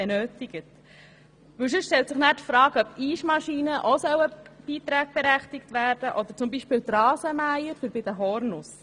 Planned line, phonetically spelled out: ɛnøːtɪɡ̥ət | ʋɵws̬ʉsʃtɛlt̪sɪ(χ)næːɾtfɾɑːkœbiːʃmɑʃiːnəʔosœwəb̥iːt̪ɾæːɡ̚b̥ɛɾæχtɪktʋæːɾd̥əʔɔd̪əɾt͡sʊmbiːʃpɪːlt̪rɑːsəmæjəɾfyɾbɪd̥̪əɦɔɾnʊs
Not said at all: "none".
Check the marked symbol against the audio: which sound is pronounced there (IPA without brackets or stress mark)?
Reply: χ